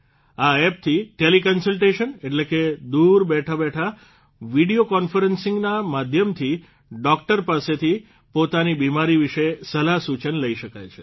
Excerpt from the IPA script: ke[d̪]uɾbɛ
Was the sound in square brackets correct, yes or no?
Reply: yes